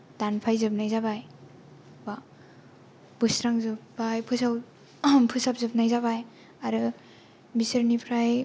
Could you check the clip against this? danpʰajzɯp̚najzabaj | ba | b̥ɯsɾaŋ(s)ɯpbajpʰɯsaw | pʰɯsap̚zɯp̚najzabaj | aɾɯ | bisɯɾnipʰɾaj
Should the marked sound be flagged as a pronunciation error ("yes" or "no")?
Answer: yes